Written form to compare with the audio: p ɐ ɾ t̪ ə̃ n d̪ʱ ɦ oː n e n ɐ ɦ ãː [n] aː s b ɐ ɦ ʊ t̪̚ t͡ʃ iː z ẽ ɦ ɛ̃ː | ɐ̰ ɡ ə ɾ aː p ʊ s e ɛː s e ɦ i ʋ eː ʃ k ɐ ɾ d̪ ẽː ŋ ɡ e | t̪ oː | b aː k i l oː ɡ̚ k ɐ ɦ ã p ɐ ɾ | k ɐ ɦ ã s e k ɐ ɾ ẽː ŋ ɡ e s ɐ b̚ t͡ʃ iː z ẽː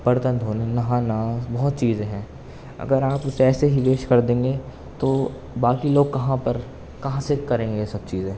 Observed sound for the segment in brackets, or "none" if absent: n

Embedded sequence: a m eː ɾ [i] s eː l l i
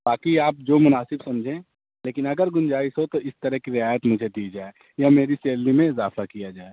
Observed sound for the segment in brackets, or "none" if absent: i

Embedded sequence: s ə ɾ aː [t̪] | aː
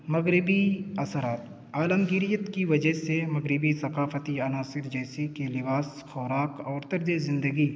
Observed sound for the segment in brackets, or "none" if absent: t̪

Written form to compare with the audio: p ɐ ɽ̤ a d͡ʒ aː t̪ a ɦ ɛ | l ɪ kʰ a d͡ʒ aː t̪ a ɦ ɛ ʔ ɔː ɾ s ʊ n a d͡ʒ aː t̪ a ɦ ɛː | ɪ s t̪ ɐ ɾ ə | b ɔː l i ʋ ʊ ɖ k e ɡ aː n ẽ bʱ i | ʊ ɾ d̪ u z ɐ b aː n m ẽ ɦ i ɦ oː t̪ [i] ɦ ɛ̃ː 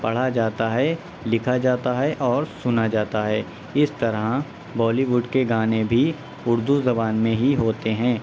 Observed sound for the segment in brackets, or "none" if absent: e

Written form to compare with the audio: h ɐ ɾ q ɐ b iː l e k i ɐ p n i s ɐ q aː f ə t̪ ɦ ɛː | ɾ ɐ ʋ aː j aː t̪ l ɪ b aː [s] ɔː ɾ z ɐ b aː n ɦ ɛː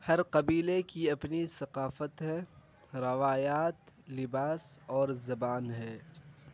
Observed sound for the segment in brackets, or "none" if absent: s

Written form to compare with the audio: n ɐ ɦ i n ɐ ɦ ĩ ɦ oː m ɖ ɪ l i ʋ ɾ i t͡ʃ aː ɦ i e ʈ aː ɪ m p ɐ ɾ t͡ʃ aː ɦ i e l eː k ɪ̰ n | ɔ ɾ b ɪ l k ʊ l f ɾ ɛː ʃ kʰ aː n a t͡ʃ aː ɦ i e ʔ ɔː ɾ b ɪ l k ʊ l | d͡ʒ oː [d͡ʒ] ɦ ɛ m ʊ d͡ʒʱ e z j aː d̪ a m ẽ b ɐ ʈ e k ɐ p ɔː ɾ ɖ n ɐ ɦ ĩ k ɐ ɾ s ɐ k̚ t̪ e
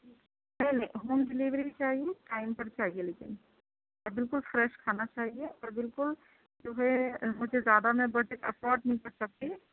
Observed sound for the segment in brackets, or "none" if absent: none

